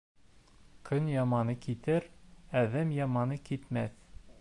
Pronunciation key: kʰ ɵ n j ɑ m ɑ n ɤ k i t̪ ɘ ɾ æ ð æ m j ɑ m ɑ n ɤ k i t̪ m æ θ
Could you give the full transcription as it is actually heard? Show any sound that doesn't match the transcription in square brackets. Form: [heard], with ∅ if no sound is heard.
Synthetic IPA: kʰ ɵ n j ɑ m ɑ n ɤ k i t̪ ɘ ɾ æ ð æ m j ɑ m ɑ n ɤ k i t̪ m æ θ